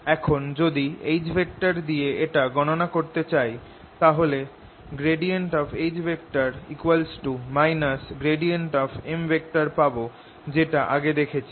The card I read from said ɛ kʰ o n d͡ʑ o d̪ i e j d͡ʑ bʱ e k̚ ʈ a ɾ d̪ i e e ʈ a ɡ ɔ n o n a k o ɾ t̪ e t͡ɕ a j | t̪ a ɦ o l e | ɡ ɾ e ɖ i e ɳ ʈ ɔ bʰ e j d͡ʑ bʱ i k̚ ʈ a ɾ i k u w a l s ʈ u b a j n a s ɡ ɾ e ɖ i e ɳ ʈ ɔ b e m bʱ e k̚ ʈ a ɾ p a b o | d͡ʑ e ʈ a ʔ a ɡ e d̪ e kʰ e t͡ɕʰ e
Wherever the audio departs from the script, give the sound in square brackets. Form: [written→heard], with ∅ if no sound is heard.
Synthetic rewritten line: ɛ kʰ o n d͡ʑ o d̪ i e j d͡ʑ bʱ e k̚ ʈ a ɾ d̪ i e e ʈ a ɡ ɔ n o n a k o ɾ t̪ e t͡ɕ a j | t̪ a ɦ o l e | ɡ ɾ e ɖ i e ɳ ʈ ɔ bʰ e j d͡ʑ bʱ [i→e] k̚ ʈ a ɾ i k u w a l s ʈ u [b→m] a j n a s ɡ ɾ e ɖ i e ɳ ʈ ɔ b e m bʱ e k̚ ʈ a ɾ p a b o | d͡ʑ e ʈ a ʔ a ɡ e d̪ e kʰ e t͡ɕʰ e